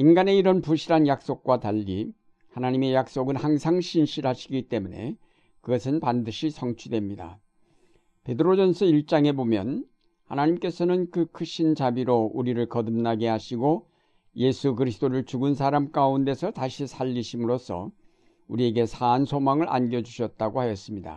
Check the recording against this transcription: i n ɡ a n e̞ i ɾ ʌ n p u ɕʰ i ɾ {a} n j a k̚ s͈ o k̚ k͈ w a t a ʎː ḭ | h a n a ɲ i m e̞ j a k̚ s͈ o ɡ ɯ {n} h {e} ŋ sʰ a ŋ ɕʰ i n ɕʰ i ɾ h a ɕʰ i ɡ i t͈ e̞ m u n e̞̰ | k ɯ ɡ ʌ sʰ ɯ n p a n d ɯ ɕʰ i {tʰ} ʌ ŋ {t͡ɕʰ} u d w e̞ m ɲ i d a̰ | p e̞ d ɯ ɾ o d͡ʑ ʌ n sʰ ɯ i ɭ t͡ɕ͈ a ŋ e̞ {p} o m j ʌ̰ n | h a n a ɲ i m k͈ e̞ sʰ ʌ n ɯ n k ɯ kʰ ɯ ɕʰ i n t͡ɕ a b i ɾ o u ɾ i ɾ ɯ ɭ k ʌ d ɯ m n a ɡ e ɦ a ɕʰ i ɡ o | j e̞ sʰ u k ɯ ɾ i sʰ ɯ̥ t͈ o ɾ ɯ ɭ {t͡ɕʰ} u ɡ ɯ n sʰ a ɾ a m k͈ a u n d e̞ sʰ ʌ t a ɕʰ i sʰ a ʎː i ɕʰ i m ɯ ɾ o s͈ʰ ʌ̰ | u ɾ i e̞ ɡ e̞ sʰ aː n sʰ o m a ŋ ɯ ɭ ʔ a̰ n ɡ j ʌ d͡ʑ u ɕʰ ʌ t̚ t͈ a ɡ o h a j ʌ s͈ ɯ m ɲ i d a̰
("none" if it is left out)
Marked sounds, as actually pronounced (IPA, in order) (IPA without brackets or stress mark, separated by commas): a, n, a, sʰ, t͡ɕʰ, b, t͡ɕ